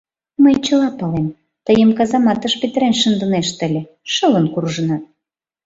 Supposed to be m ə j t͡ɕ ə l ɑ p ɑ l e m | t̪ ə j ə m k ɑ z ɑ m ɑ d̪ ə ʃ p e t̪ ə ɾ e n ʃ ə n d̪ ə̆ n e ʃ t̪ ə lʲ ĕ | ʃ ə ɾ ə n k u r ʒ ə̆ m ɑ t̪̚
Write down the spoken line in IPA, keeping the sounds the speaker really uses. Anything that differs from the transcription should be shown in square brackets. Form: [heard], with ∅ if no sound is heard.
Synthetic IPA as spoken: m ə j t͡ɕ ə l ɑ p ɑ l e m | t̪ ə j ə m k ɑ z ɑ m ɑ [t̪] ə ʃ p e t̪ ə ɾ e n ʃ ə n d̪ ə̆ n e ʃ t̪ ə lʲ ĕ | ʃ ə [l] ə n k u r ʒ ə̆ [n] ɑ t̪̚